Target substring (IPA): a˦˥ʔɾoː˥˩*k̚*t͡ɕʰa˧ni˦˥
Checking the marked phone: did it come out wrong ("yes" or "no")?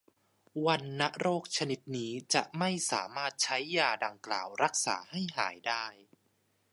no